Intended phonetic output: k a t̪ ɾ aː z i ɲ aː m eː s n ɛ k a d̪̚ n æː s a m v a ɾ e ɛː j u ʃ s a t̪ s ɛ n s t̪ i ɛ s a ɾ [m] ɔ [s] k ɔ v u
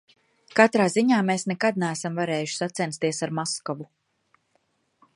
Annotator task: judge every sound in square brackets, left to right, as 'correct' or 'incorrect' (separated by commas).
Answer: correct, correct